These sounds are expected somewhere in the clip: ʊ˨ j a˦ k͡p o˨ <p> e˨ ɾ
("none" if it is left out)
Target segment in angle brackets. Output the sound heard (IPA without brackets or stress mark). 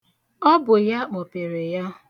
p